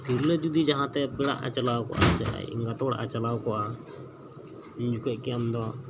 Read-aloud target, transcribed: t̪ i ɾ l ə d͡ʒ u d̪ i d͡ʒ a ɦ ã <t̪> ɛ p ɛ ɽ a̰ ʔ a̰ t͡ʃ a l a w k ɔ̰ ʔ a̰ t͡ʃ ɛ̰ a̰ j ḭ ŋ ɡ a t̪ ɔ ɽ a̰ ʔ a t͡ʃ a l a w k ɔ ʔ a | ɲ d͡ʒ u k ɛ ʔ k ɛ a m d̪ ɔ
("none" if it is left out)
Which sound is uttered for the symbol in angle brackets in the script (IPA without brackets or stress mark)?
t̪